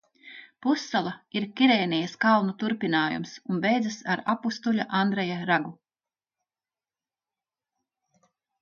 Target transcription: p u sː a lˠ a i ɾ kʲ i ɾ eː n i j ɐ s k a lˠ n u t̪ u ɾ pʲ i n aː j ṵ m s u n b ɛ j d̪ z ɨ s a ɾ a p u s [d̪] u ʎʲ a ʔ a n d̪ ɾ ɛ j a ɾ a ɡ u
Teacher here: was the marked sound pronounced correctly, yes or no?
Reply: no